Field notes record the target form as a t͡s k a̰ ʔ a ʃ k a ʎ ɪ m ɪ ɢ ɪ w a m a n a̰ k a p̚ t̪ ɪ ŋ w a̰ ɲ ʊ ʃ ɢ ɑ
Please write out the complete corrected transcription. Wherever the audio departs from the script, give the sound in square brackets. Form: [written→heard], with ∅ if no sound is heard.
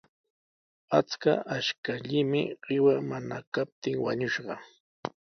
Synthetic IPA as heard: a t͡s k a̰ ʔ a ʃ k a ʎ ɪ m ɪ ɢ ɪ w a m a n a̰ k a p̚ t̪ ɪ ŋ w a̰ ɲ ʊ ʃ ɢ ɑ

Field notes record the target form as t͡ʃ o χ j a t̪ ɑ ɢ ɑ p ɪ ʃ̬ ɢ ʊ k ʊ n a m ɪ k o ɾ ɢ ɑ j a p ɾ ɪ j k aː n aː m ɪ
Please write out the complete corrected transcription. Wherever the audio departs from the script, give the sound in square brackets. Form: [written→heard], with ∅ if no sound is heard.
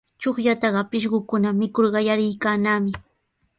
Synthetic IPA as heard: t͡ʃ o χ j a t̪ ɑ ɢ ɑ p ɪ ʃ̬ ɢ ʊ k ʊ n a m ɪ k o ɾ ɢ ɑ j a [p→∅] ɾ ɪ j k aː n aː m ɪ

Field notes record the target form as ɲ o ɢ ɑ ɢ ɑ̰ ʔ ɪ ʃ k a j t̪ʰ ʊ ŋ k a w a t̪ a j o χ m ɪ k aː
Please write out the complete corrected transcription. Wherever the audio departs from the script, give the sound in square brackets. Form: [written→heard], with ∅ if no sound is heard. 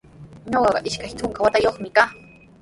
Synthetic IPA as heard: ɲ o ɢ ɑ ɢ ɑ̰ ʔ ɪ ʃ k a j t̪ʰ ʊ ŋ k a w a t̪ a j o χ m ɪ k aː

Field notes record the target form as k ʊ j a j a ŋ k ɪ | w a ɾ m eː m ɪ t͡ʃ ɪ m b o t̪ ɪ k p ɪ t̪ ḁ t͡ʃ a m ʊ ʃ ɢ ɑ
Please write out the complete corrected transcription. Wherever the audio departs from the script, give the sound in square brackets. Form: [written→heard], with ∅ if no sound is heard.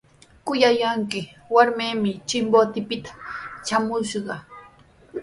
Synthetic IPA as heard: k ʊ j a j a ŋ k ɪ | w a ɾ m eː m ɪ t͡ʃ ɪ m b o t̪ ɪ [k→∅] p ɪ t̪ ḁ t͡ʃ a m ʊ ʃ ɢ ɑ

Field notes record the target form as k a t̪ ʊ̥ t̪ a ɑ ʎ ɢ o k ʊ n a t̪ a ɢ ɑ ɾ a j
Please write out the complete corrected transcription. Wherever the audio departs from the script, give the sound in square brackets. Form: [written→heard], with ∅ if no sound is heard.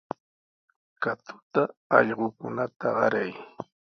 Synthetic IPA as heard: k a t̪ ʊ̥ t̪ a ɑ ʎ ɢ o k ʊ n a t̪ a ɢ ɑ ɾ a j

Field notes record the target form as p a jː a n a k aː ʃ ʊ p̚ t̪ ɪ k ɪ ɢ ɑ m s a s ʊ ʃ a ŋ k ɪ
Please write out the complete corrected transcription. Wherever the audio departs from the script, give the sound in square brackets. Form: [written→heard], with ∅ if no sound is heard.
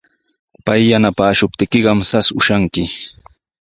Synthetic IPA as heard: p a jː a n a [k→p] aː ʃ ʊ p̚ t̪ ɪ k ɪ ɢ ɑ m s a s ʊ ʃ a ŋ k ɪ

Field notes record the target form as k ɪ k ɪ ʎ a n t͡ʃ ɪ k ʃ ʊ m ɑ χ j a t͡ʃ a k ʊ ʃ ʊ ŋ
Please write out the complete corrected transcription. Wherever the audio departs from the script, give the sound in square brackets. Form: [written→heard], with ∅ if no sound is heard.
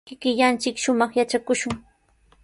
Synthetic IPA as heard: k ɪ k ɪ ʎ a n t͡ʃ ɪ k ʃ ʊ m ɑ χ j a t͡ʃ a k ʊ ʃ ʊ ŋ

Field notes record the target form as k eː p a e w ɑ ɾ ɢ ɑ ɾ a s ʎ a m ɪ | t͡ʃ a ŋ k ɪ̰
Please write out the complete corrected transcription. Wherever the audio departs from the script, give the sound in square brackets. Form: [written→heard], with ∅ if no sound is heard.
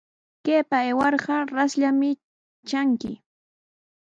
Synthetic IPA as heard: k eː p a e w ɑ ɾ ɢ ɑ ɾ a s ʎ a m ɪ | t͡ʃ a ŋ k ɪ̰

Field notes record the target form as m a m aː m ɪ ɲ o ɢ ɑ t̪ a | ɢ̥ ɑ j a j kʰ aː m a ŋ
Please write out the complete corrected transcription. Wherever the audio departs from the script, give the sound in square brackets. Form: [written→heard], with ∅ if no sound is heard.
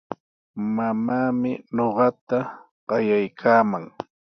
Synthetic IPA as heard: m a m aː m ɪ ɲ o ɢ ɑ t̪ a | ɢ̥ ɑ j a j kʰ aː m a ŋ

